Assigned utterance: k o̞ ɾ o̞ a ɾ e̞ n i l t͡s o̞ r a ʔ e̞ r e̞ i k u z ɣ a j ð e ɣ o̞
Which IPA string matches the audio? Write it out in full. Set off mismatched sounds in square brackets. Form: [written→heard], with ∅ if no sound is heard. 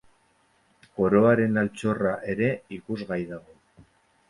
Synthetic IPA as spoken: k o̞ ɾ o̞ a ɾ e̞ n [i→a] l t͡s o̞ r a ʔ e̞ [r→ɾ] e̞ i k u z ɣ a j ð [e→a] ɣ o̞

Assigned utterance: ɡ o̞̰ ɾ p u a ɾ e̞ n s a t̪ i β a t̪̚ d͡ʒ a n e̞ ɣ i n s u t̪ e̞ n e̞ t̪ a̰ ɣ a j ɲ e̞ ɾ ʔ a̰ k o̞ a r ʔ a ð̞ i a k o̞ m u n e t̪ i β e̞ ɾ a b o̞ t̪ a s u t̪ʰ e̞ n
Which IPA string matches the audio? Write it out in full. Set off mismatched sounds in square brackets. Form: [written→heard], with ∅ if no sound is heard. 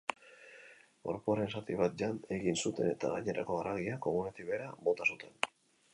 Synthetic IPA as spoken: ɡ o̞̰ ɾ p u a ɾ e̞ n s a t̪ i β a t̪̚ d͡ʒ a n e̞ ɣ i n s u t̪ e̞ n e̞ t̪ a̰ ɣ a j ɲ e̞ ɾ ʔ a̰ k o̞ a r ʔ a [ð̞→ɣ̞] i a k o̞ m u n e t̪ i β e̞ ɾ a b o̞ t̪ a s u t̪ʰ e̞ n

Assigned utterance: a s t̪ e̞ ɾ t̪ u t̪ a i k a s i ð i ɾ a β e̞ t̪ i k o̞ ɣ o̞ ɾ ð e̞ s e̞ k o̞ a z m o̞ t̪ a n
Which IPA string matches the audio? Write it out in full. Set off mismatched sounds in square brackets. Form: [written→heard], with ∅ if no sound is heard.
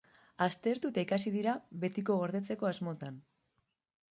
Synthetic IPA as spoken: a s t̪ e̞ ɾ t̪ u t̪ a i k a s i ð i ɾ a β e̞ t̪ i k o̞ ɣ o̞ ɾ ð e̞ [s→t͡s] e̞ k o̞ a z m o̞ t̪ a n

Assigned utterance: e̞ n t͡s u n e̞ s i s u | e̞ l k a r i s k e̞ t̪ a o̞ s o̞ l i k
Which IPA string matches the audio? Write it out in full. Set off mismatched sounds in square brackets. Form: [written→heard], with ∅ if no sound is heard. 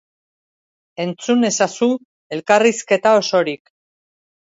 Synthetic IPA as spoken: e̞ n t͡s u n e̞ s [i→a] s u | e̞ l k a r i s k e̞ t̪ a o̞ s o̞ [l→ɾ] i k

